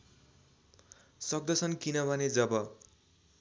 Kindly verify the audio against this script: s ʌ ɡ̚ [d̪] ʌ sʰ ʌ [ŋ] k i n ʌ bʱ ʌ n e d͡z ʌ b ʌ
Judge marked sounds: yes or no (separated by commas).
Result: yes, no